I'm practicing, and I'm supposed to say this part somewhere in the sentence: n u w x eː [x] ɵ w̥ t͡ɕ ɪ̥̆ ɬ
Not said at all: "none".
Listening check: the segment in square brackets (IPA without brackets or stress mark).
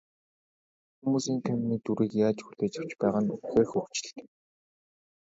x